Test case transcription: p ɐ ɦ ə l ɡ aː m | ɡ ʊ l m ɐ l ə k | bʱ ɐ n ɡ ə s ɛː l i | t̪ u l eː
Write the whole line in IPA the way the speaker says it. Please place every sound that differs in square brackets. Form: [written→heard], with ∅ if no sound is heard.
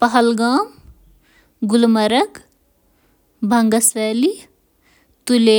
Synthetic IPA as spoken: p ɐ ɦ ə l ɡ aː m | ɡ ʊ l m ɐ [l→ɾ] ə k | bʱ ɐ [n→ŋ] ɡ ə s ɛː l i | t̪ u l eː